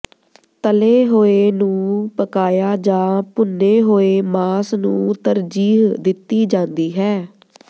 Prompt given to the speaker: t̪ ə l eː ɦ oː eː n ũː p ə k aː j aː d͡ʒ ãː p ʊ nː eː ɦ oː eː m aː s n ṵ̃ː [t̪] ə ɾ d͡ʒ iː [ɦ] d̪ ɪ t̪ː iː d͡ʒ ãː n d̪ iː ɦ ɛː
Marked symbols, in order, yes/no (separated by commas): yes, yes